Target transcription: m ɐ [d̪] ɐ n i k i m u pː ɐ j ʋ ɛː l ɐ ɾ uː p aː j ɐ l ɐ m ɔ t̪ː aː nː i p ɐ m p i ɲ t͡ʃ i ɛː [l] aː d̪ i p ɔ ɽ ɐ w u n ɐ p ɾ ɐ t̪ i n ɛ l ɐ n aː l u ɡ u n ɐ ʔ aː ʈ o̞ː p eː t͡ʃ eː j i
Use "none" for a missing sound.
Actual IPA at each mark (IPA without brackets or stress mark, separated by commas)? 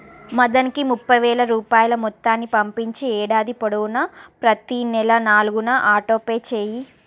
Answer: d̪, ɽ